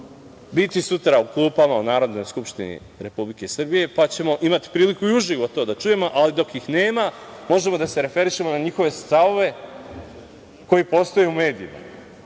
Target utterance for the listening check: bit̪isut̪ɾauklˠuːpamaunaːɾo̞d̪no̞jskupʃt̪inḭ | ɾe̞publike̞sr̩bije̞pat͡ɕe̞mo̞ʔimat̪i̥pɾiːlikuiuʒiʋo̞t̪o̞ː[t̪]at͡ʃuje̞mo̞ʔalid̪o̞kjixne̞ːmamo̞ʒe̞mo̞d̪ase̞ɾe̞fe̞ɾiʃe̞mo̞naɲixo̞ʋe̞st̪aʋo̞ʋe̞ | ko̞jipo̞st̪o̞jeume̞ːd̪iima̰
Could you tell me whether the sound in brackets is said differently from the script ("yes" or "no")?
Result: yes